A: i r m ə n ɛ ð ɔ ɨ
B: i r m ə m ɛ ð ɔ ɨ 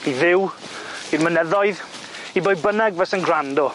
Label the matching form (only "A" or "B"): A